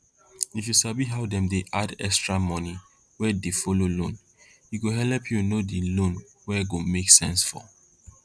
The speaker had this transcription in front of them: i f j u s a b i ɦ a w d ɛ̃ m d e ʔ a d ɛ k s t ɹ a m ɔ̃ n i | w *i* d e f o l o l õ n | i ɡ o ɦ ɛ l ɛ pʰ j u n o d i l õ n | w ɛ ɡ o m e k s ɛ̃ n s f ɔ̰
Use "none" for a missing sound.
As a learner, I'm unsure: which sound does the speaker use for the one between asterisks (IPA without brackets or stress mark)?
ɛ